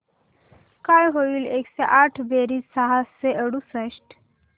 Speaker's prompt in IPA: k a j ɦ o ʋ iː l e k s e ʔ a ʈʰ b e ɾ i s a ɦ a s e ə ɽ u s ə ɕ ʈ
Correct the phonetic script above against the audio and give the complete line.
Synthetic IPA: k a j ɦ o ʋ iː l e k s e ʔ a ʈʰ b e ɾ i s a ɦ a s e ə ɽ u s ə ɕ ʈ

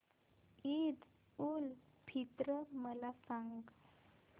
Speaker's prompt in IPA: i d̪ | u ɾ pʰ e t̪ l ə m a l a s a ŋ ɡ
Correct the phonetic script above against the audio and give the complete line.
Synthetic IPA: i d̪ | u l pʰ i t̪ ɾ ə m ə l a s a ŋ ɡ

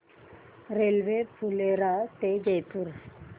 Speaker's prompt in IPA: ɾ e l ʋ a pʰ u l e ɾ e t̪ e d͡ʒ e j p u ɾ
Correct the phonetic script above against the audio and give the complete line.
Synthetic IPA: ɾ e l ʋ e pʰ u l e ɾ a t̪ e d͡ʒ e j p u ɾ

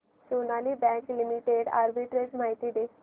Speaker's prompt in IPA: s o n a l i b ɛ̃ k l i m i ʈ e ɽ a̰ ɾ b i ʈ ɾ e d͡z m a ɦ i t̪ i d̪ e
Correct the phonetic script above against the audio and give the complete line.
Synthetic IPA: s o n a l i b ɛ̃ k l i m i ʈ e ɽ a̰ ɾ b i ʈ ɾ e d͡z m a ɦ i t̪ i d̪ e

